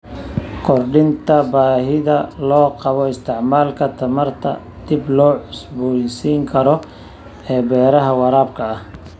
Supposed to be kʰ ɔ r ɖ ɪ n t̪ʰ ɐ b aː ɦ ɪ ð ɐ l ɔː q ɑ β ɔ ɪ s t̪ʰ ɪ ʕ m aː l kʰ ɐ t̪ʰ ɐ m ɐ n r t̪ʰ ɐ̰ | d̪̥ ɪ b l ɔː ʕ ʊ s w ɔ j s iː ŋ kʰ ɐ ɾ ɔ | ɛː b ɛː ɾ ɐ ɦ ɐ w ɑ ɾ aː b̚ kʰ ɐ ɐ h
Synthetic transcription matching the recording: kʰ ɔ r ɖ ɪ n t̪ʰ ɐ b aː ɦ ɪ ð ɐ l ɔː q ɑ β ɔ ɪ s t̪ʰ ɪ ʕ m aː l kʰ ɐ t̪ʰ ɐ m ɐ r t̪ʰ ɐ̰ | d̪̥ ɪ b l ɔː ʕ ʊ s b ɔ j s iː ŋ kʰ ɐ ɾ ɔ | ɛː b ɛː ɾ ɐ ɦ ɐ w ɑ ɾ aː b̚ kʰ ɐ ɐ h